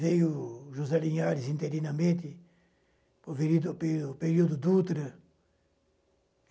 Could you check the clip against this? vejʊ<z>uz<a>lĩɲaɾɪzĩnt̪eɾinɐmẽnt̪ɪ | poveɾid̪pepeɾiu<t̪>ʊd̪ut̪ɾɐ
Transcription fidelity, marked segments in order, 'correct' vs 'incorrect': incorrect: ʒ, incorrect: ɛ, incorrect: d̪

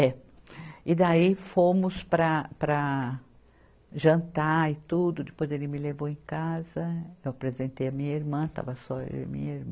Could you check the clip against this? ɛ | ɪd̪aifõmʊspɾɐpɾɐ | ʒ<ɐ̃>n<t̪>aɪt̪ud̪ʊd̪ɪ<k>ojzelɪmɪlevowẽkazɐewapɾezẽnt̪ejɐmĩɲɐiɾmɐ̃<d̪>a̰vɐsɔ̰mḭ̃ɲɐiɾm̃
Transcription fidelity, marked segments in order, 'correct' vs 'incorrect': correct, correct, incorrect: p, incorrect: t̪

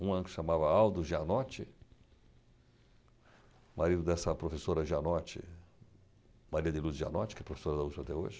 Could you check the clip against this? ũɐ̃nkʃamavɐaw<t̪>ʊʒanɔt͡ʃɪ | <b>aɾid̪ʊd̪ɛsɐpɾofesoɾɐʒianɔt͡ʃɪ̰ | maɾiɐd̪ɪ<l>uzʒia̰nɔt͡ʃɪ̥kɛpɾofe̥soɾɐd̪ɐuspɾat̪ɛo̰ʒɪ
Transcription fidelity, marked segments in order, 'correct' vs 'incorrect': incorrect: d̪, incorrect: m, correct

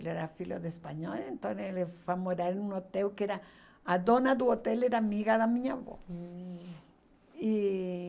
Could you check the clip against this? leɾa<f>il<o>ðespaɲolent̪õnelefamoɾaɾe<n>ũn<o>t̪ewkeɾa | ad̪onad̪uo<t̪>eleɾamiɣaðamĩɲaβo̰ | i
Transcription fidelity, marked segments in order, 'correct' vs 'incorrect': correct, correct, correct, correct, correct

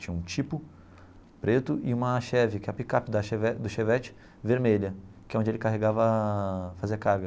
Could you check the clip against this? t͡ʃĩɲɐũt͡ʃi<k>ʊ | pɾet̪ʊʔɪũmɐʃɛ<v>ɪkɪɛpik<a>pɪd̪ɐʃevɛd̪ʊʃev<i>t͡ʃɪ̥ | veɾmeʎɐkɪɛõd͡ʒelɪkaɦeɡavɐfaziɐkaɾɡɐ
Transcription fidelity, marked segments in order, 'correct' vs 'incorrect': incorrect: p, correct, correct, incorrect: ɛ

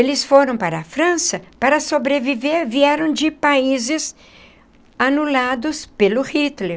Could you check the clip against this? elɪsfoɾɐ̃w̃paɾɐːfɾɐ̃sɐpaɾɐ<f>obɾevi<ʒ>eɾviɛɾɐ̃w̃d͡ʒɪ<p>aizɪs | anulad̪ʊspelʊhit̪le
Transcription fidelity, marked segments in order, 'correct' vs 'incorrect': incorrect: s, incorrect: v, correct

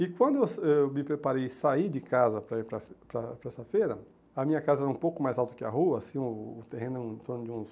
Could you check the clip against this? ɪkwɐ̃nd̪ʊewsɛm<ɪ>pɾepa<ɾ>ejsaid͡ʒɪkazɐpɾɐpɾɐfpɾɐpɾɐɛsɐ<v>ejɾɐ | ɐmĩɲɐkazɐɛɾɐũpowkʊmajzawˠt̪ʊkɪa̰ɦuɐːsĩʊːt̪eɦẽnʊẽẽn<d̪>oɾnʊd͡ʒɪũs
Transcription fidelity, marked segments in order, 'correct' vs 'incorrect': correct, correct, incorrect: f, incorrect: t̪

